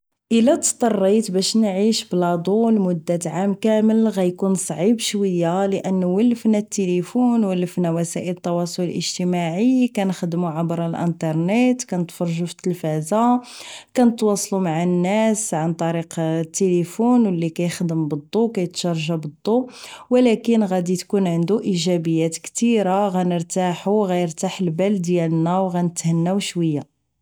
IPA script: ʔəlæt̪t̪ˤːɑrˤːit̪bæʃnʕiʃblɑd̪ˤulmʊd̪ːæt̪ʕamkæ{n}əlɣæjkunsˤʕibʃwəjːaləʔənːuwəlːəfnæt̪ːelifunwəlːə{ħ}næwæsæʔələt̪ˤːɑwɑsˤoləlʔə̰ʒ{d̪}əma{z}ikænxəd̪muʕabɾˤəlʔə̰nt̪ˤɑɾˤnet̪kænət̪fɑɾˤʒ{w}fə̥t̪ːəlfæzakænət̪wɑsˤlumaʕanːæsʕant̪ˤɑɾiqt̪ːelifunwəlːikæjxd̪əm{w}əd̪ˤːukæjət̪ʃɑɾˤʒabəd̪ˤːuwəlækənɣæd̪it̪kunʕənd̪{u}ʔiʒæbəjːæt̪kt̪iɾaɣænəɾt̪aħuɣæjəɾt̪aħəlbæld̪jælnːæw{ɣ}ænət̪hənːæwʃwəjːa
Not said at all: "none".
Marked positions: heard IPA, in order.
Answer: m, f, t̪, ʕ, u, b, u, ɣ

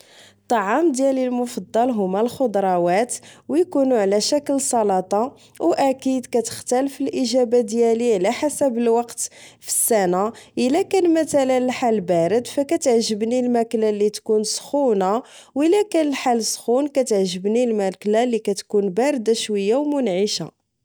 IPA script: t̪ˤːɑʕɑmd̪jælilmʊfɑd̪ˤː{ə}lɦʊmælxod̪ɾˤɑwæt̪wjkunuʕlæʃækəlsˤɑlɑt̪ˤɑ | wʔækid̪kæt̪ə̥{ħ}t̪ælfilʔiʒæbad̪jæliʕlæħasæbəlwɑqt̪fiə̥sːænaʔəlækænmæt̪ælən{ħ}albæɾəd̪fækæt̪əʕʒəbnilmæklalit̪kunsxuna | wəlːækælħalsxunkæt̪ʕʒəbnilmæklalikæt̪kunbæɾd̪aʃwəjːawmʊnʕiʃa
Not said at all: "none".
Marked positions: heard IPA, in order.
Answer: ɑ, x, ħ

